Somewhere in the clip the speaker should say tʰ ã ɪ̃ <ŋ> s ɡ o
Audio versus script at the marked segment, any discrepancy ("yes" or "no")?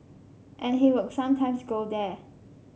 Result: yes